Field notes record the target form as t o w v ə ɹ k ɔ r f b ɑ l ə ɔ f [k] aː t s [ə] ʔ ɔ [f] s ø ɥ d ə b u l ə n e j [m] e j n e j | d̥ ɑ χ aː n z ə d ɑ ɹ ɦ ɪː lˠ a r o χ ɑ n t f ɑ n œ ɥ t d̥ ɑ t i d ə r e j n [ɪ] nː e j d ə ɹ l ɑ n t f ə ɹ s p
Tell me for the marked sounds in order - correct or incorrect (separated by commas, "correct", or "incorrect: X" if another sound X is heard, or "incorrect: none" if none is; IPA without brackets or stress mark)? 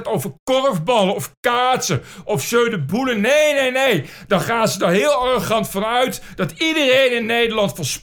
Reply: correct, correct, correct, incorrect: n, correct